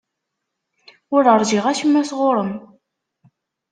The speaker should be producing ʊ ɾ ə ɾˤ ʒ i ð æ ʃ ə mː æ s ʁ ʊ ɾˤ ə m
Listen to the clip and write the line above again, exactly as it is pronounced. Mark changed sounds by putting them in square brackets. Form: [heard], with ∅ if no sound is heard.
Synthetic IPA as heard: ʊ ɾ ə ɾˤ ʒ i [ʁ] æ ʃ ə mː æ s ʁ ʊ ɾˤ ə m